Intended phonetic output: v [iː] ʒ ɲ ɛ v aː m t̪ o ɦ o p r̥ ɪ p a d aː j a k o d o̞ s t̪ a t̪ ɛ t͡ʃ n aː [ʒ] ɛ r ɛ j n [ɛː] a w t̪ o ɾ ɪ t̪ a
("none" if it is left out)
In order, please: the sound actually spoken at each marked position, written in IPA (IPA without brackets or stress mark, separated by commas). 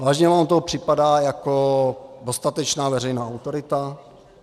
aː, v, aː